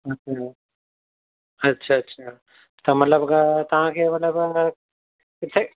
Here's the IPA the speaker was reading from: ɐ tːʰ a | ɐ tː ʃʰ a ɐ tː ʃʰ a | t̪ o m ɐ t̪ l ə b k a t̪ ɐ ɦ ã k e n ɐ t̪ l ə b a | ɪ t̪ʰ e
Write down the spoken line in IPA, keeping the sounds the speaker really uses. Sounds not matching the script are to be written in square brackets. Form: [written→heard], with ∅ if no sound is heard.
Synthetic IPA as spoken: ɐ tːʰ a | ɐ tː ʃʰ a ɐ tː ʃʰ a | t̪ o m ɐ t̪ l ə b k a t̪ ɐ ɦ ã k e [n→m] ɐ t̪ l ə b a | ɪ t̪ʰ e